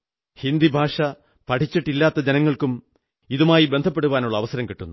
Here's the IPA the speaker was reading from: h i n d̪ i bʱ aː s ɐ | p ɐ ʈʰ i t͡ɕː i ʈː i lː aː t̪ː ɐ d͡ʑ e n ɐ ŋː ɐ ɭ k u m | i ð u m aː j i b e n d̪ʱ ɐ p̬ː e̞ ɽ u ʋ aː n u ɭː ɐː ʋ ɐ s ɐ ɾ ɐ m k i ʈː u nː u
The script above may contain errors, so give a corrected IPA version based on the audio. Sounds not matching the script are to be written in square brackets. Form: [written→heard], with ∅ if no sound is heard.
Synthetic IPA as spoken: h i n d̪ i bʱ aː [s→ʂ] ɐ | p ɐ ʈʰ i t͡ɕː i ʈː i lː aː t̪ː ɐ d͡ʑ e n ɐ ŋː ɐ ɭ k u m | i ð u m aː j i b e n d̪ʱ ɐ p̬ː e̞ ɽ u ʋ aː n u ɭː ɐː ʋ ɐ s ɐ ɾ ɐ m k i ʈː u nː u